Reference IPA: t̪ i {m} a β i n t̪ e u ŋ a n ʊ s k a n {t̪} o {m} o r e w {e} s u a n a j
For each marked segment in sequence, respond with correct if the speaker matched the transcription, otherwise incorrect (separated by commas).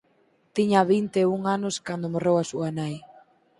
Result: incorrect, incorrect, correct, incorrect